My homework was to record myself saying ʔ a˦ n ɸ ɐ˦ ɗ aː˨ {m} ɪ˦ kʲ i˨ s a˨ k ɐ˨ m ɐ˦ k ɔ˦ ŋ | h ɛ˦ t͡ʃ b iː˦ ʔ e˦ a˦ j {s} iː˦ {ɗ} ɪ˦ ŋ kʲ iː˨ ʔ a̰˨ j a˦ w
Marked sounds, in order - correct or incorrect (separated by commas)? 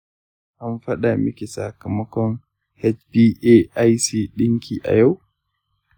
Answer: correct, correct, correct